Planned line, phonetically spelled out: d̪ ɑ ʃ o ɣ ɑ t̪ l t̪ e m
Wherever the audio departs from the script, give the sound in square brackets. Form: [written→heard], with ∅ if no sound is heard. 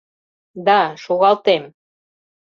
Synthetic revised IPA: d̪ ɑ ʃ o ɣ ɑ [t̪→∅] l t̪ e m